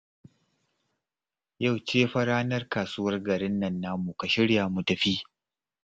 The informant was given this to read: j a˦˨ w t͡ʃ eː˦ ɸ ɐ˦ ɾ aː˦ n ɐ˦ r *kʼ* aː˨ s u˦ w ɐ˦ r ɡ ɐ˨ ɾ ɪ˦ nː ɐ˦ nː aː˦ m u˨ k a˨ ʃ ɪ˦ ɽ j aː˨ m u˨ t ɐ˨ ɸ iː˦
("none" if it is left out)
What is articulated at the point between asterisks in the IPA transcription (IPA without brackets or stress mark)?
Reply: k